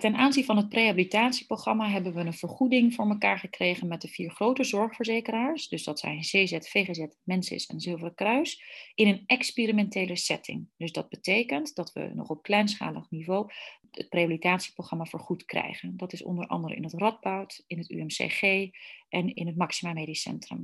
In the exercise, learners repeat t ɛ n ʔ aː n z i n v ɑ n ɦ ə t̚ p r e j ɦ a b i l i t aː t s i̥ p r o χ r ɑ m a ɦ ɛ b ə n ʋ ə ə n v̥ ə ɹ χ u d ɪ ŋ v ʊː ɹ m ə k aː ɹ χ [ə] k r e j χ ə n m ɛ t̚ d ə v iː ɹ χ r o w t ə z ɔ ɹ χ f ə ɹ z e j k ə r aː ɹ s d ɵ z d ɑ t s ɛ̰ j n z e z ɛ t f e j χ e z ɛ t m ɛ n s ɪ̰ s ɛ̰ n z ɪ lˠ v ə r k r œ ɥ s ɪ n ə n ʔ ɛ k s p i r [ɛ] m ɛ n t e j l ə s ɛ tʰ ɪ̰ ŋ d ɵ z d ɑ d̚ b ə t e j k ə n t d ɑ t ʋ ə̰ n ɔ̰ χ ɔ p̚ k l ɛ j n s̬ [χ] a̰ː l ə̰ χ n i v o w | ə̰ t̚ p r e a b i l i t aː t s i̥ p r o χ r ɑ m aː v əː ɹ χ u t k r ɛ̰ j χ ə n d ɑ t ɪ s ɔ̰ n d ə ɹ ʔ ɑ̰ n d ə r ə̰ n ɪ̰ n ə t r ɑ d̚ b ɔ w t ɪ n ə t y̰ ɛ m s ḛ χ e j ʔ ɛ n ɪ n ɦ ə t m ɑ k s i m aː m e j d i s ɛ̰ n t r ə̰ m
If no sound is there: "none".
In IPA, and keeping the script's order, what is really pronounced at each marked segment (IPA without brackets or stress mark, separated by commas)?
ə, i, χ